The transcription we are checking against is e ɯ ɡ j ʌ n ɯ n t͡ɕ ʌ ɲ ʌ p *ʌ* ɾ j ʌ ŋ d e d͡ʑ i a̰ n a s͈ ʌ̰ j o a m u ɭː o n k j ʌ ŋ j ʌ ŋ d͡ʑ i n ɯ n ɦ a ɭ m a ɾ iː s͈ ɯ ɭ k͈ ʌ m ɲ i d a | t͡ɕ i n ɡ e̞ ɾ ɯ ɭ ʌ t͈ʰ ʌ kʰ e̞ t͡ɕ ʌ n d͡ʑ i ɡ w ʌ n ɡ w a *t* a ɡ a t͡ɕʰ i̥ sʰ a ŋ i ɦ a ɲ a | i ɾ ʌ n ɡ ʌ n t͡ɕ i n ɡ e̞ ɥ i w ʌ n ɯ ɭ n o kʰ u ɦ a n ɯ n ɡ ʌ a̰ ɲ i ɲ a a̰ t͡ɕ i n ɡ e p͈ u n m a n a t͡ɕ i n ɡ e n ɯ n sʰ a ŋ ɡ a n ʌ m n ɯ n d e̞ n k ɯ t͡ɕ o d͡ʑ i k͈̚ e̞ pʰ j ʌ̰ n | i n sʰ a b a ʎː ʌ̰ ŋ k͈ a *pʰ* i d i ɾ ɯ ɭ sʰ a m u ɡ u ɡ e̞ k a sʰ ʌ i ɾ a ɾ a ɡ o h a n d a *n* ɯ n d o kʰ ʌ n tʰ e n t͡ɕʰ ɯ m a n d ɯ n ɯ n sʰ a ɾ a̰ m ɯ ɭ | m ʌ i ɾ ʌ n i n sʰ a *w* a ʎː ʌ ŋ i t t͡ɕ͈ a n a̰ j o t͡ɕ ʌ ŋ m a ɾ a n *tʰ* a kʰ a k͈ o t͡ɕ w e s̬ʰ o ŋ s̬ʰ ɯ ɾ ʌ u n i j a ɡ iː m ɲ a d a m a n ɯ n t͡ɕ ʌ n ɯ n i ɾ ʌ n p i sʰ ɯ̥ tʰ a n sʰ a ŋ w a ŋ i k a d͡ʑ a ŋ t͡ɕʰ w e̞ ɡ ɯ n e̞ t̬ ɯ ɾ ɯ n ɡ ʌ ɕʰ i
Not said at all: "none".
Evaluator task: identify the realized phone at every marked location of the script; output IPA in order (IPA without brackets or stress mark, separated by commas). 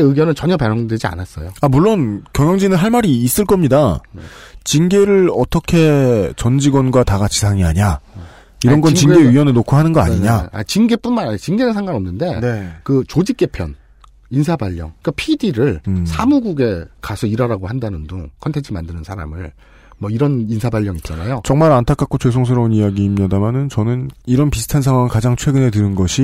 a, t, pʰ, n, b, tʰ